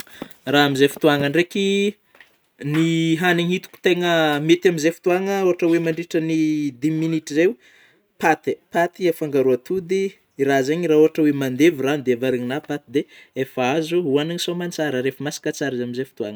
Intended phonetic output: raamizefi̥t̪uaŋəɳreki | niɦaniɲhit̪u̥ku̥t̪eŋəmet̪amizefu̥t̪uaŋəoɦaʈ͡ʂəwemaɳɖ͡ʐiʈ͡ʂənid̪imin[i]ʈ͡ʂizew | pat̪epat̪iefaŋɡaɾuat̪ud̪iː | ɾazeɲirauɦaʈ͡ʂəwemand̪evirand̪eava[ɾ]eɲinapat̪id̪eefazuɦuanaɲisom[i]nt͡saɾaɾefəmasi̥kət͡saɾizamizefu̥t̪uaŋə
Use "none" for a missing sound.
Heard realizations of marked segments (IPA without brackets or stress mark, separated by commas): i, ɾ, a